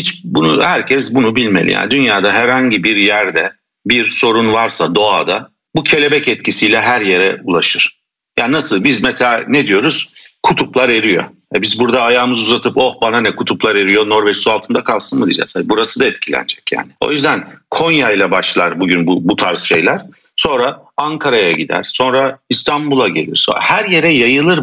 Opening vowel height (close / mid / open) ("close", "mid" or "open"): close